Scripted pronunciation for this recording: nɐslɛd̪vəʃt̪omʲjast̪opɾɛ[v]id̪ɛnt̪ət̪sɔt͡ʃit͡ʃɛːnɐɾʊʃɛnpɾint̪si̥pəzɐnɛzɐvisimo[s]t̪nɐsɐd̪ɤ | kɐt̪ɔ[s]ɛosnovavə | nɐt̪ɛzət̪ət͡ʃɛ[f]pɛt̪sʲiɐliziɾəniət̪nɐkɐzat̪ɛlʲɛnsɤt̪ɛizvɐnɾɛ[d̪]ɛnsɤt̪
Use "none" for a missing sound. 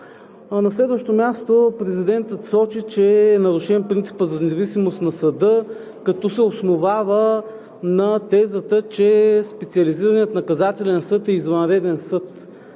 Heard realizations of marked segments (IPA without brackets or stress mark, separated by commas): z, s, s, s, d̪